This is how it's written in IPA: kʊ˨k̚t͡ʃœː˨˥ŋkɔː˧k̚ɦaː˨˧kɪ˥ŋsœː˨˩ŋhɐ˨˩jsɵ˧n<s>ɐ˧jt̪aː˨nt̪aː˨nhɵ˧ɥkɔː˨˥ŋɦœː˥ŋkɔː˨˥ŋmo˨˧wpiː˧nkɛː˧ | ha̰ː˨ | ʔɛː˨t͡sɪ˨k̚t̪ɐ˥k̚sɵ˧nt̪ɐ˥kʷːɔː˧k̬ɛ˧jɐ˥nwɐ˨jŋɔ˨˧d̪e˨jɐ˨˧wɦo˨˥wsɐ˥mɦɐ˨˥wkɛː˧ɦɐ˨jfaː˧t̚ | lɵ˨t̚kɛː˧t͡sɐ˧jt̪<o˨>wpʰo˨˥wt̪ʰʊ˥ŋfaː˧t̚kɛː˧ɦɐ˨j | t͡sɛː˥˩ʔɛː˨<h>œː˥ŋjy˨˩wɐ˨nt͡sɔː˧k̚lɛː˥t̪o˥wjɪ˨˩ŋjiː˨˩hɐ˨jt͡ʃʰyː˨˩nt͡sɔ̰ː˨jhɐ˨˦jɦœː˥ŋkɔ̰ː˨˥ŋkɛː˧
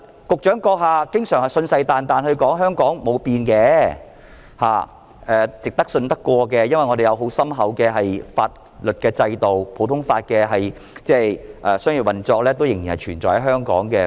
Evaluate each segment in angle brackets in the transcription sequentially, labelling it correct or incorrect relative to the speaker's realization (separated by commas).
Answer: correct, correct, incorrect